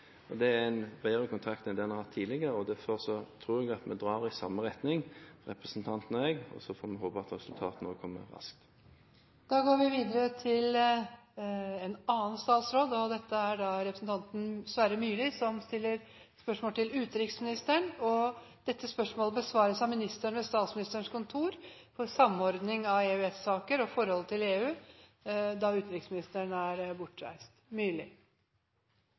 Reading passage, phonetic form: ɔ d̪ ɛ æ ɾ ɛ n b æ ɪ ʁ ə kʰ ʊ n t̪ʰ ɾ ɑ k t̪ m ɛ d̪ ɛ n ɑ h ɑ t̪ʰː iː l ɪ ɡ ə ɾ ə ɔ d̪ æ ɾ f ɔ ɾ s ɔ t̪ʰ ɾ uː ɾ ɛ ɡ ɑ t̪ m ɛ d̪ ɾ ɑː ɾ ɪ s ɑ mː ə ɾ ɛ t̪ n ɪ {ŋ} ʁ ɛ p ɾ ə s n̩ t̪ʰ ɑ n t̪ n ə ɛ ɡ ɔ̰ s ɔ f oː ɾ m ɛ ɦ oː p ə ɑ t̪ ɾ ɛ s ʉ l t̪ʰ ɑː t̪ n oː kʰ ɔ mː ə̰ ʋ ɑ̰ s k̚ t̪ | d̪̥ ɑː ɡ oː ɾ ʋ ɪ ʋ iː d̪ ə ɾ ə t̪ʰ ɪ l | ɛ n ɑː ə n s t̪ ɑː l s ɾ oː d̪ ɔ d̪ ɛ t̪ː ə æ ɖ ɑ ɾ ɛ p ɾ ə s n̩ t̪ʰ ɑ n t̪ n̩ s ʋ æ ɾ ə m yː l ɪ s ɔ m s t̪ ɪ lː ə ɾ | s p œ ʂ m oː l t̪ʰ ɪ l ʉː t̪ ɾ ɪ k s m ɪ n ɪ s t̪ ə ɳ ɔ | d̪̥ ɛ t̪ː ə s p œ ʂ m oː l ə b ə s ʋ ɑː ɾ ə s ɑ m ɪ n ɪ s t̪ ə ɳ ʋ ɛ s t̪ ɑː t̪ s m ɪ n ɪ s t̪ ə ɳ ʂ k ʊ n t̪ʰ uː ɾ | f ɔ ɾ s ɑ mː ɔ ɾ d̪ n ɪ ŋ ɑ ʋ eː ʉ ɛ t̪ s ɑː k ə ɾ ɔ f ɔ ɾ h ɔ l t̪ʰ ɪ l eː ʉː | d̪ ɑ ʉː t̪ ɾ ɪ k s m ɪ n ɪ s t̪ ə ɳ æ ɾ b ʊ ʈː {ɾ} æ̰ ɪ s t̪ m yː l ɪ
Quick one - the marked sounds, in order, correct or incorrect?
correct, correct

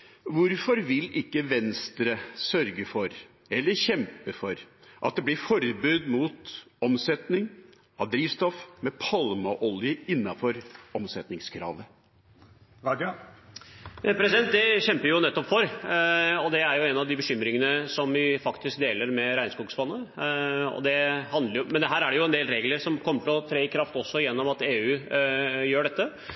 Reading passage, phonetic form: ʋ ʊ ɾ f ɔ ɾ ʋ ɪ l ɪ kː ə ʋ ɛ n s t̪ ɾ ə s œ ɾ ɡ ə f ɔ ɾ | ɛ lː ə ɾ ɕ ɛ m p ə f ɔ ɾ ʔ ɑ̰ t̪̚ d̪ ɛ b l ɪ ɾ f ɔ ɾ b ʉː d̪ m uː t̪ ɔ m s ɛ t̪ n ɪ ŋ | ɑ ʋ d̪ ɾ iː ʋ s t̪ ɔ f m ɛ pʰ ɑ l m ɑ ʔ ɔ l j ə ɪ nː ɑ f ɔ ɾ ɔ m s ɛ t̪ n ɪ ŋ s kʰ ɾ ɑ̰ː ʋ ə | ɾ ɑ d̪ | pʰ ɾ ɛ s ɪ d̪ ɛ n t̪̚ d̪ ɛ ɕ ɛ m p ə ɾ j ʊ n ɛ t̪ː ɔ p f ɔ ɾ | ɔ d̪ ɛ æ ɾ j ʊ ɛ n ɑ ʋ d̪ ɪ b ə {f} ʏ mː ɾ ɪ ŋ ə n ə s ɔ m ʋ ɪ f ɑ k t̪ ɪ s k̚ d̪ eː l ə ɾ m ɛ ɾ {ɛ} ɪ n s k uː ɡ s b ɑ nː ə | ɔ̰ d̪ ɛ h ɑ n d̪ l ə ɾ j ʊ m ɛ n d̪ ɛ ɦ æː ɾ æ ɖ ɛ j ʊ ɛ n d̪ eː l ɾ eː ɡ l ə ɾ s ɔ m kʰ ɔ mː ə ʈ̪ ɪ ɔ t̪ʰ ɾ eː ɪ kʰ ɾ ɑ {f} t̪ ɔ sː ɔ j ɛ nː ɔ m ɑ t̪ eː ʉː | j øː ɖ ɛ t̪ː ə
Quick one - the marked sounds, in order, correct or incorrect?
incorrect, incorrect, correct

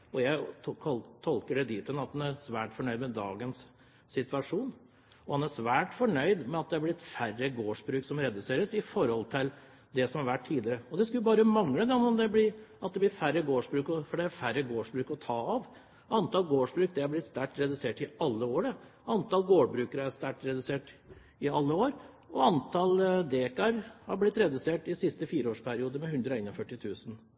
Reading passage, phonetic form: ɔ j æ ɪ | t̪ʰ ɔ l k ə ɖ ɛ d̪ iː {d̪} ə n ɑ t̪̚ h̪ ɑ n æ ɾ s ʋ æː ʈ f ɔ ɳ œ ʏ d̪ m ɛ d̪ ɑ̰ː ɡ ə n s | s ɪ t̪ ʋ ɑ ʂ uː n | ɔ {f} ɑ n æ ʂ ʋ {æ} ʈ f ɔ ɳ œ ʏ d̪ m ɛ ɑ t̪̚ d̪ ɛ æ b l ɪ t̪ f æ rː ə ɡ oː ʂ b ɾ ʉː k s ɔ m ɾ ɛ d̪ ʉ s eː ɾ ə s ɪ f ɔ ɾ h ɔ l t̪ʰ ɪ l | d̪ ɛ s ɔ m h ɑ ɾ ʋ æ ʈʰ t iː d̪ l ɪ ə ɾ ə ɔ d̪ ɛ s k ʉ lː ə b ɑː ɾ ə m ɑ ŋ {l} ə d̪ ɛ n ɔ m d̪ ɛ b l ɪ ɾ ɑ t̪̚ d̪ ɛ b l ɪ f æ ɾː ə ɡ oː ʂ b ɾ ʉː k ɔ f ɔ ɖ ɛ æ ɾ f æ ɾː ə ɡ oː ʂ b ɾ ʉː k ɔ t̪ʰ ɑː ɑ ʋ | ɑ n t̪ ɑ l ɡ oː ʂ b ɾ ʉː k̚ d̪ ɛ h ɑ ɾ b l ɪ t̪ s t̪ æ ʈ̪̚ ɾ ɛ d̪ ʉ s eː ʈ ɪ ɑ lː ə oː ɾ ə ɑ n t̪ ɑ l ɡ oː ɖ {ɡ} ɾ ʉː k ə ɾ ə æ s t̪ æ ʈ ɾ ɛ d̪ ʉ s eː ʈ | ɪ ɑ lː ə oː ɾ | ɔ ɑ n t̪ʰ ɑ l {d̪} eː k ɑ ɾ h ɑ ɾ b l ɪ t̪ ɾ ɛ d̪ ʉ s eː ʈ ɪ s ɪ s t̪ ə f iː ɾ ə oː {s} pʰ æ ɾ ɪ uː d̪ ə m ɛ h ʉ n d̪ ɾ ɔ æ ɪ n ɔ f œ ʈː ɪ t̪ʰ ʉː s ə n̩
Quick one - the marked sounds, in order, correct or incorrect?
incorrect, incorrect, incorrect, correct, incorrect, correct, incorrect

